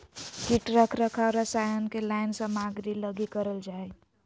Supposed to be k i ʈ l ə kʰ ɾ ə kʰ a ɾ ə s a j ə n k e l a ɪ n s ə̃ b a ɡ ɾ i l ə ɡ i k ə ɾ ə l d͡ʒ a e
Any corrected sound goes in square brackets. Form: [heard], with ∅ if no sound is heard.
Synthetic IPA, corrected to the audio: k i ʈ [ɾ] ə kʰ ɾ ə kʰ a ɾ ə s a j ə n k e l a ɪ n s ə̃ [m] a ɡ ɾ i l ə ɡ i k ə ɾ ə l d͡ʒ a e

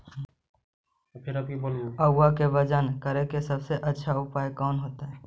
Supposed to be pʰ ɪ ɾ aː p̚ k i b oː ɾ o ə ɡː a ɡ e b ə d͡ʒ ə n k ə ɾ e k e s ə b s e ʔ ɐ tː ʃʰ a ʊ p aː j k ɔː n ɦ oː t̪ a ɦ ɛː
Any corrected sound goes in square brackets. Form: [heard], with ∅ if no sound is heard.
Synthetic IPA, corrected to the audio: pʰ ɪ ɾ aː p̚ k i b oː [l] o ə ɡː a [k] e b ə d͡ʒ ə n k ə ɾ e k e s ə b s e ʔ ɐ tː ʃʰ a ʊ p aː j k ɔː n ɦ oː t̪ a ɦ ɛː

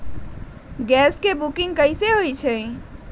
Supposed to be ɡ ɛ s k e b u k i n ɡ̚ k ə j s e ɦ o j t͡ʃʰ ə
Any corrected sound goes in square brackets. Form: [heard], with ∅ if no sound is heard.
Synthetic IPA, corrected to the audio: ɡ ɛ s k e b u k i [ŋ] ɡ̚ k ə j s e ɦ o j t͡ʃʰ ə

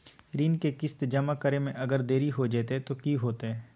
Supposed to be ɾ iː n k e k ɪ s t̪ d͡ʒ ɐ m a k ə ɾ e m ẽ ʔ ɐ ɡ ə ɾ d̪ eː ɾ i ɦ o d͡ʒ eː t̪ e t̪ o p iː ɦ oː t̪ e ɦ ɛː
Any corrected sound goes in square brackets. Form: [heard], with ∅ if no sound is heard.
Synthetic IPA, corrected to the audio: ɾ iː n k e k ɪ s t̪ d͡ʒ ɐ m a k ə ɾ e m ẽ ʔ ɐ ɡ ə ɾ d̪ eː ɾ i ɦ o d͡ʒ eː t̪ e t̪ o [k] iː ɦ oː t̪ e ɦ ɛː

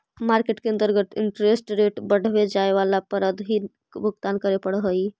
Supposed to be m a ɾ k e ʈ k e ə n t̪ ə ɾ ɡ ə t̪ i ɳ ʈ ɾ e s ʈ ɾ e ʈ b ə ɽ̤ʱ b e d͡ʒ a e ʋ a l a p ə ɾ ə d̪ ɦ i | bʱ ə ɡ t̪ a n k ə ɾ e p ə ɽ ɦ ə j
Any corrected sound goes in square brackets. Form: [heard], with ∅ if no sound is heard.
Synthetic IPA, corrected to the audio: m a ɾ k e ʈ k e ə n t̪ ə ɾ ɡ ə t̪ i ɳ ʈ ɾ e s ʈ ɾ e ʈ b ə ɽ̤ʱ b e d͡ʒ a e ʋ a l a p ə ɾ ə d̪ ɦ i | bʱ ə ɡ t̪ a n k ə ɾ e p ə ɽ ɦ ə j

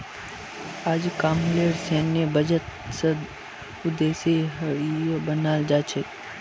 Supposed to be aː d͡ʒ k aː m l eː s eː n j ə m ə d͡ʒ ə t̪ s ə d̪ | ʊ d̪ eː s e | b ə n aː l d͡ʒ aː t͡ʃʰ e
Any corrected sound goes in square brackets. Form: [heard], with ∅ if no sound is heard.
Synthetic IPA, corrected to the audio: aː d͡ʒ k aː m l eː s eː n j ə [b] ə d͡ʒ ə t̪ s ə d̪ | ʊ d̪ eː s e | b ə n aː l d͡ʒ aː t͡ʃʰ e

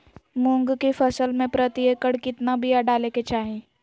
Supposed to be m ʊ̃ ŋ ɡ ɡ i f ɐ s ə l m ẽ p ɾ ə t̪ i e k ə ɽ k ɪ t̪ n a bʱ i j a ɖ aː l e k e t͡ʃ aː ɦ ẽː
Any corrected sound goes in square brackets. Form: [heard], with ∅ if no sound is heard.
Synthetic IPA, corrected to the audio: m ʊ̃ ŋ ɡ [k] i f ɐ s ə l m ẽ p ɾ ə t̪ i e k ə ɽ k ɪ t̪ n a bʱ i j a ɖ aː l e k e t͡ʃ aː ɦ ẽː

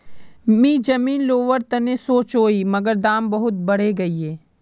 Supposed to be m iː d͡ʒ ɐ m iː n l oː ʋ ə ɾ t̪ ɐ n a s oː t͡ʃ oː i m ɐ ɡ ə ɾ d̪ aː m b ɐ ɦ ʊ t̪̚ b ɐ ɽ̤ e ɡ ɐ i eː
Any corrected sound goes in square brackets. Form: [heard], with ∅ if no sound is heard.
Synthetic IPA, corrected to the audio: m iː d͡ʒ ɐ m iː n l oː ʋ ə ɾ t̪ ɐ n [e] s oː t͡ʃ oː i m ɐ ɡ ə ɾ d̪ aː m b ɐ ɦ ʊ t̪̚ b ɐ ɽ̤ e ɡ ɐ i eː

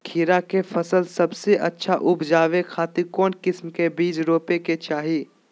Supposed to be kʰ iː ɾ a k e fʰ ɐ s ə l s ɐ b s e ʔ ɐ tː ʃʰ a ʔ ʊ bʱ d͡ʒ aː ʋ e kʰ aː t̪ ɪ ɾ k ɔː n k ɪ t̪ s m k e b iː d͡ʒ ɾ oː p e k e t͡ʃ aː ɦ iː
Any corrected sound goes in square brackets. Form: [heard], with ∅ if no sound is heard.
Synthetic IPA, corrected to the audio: kʰ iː ɾ a k e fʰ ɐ s ə l s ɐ b s e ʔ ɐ tː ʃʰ a ʔ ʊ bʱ d͡ʒ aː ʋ e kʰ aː t̪ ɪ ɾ k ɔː n k ɪ [∅] s m k e b iː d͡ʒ ɾ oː p e k e t͡ʃ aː ɦ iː

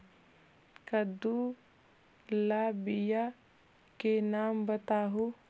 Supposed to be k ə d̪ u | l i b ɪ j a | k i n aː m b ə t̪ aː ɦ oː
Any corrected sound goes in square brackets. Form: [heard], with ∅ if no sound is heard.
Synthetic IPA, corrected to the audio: k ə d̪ u | l [a] b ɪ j a | k [e] n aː m b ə t̪ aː ɦ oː

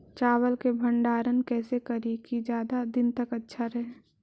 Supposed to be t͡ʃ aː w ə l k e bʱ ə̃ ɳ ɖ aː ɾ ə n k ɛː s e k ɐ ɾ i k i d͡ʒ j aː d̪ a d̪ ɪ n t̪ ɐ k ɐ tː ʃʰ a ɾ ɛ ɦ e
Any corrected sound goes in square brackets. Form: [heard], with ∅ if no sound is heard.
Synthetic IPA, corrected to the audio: t͡ʃ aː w ə l k e bʱ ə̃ ɳ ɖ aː ɾ ə n k ɛː s e k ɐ ɾ i k i d͡ʒ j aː d̪ a d̪ ɪ n t̪ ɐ k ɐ tː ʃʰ a ɾ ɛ ɦ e

